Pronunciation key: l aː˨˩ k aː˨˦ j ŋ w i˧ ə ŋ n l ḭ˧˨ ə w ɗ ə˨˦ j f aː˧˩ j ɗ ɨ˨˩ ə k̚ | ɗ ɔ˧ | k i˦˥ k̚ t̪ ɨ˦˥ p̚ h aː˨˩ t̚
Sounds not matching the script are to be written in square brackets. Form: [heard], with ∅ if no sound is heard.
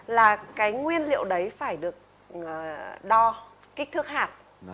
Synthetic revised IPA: l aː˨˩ k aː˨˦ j ŋ w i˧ ə [∅] n l ḭ˧˨ ə w ɗ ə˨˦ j f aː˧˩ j ɗ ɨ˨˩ ə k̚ | ɗ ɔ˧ | k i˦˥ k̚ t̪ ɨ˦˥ [k̚] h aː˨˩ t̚